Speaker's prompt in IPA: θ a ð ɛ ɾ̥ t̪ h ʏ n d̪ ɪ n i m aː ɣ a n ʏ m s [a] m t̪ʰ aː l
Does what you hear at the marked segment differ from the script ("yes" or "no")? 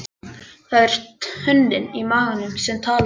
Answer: yes